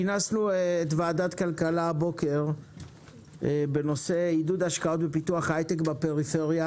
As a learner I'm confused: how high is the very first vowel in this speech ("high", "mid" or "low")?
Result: low